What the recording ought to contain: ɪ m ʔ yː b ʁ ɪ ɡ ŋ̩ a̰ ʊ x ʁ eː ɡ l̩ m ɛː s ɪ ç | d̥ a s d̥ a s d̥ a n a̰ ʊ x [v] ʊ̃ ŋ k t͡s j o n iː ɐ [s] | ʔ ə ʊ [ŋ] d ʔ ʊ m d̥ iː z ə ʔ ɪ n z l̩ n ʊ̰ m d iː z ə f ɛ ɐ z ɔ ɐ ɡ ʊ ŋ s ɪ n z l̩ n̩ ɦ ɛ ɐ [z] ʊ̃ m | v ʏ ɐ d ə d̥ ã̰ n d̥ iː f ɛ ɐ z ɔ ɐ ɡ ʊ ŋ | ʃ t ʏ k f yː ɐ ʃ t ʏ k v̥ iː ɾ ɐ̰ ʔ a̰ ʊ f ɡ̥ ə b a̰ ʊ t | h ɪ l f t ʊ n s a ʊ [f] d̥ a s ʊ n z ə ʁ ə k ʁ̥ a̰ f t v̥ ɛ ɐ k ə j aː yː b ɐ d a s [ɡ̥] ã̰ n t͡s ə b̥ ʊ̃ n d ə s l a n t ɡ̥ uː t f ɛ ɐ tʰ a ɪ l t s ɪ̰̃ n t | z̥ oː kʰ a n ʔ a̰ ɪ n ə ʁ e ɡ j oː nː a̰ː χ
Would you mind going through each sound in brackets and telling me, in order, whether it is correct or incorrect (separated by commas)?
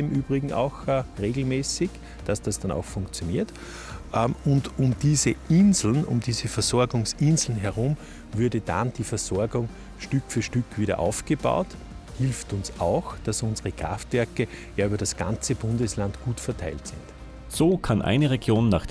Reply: incorrect, incorrect, incorrect, incorrect, incorrect, correct